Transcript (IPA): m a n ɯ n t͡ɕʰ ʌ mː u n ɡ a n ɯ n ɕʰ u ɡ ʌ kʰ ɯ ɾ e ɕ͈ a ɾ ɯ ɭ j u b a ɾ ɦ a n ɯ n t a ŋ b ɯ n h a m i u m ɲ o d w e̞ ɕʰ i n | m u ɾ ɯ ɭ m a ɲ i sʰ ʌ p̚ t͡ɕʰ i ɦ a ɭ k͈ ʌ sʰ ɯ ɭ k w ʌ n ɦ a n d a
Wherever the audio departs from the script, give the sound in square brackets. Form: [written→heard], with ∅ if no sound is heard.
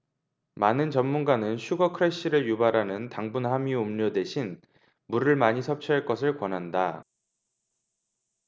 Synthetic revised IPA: m a n ɯ n [t͡ɕʰ→t͡ɕ] ʌ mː u n ɡ a n ɯ n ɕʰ u ɡ ʌ kʰ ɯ ɾ e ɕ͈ [a→i] ɾ ɯ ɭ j u b a ɾ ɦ a n ɯ n t a ŋ b [ɯ→u] n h a m i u m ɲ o d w e̞ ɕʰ i n | m u ɾ ɯ ɭ m a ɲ i sʰ ʌ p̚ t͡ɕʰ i ɦ a ɭ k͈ ʌ sʰ ɯ ɭ k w ʌ n ɦ a n d a